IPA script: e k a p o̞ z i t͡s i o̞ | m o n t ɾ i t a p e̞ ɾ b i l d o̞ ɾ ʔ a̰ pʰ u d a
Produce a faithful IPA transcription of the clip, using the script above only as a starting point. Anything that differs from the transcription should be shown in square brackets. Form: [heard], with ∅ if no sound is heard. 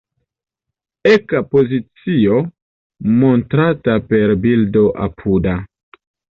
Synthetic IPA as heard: e k a p o̞ z i t͡s i o̞ | m o n t ɾ [a] t a p e̞ ɾ b i l d o̞ [∅] ʔ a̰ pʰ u d a

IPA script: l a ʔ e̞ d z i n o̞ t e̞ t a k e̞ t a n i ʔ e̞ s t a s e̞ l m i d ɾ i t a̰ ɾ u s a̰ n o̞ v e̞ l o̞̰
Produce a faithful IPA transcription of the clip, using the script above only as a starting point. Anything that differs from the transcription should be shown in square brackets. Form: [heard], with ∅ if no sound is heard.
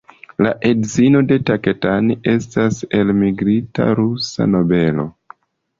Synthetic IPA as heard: l a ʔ e̞ d z i n o̞ [d] e̞ t a k e̞ t a n i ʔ e̞ s t a s e̞ l m i [ɡ] ɾ i t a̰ ɾ u s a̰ n o̞ [b] e̞ l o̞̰

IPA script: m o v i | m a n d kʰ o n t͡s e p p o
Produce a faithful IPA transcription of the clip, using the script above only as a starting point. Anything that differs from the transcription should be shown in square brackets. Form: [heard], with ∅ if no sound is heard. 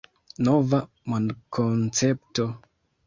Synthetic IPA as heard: [n] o v [a] | m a n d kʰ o n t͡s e p [t] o

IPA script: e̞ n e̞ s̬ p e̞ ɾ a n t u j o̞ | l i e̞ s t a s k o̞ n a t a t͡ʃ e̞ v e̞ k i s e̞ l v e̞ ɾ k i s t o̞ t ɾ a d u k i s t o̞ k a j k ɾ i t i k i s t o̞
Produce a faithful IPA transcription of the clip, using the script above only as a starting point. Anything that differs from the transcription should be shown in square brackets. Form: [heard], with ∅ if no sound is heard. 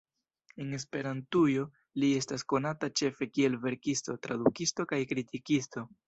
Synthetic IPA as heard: e̞ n e̞ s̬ p e̞ ɾ a n t u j o̞ | l i e̞ s t a s k o̞ n a t a t͡ʃ e̞ [f] e̞ k i [∅] e̞ l v e̞ ɾ k i s t o̞ t ɾ a d u k i s t o̞ k a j k ɾ i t i k i s t o̞

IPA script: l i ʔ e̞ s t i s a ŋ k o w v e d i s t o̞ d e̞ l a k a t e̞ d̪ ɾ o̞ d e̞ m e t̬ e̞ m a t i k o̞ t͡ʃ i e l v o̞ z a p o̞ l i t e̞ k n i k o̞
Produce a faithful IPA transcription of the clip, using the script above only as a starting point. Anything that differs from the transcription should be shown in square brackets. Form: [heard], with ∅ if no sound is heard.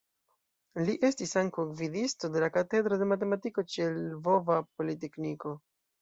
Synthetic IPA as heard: l i ʔ e̞ s t i s a ŋ k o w v [i] d i s t o̞ d e̞ l a k a t e̞ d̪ ɾ o̞ d e̞ m [a] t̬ e̞ m a t i k o̞ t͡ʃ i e l v o̞ [v] a p o̞ l i t e̞ k n i k o̞

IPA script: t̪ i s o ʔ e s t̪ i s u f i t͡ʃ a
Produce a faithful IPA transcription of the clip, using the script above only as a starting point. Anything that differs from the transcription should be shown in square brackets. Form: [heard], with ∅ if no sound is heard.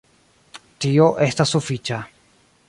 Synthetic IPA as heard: t̪ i [∅] o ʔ e s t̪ [a] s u f i t͡ʃ a

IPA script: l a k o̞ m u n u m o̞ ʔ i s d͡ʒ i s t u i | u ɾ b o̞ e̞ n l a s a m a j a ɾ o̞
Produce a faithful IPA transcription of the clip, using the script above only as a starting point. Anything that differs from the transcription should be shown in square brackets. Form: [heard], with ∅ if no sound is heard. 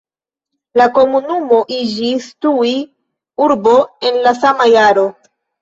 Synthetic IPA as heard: l a k o̞ m u n u m o̞ ʔ i [∅] d͡ʒ i s t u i | u ɾ b o̞ e̞ n l a s a m a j a ɾ o̞

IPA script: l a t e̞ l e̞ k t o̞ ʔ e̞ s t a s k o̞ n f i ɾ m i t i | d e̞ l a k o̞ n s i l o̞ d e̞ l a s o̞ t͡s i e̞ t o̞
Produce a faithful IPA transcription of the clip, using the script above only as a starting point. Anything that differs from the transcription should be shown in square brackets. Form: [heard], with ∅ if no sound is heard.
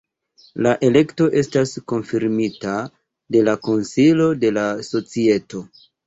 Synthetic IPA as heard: l a [ʔ] e̞ l e̞ k t o̞ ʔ e̞ s t a s k o̞ n f i ɾ m i t [a] | d e̞ l a k o̞ n s i l o̞ d e̞ l a s o̞ t͡s i e̞ t o̞

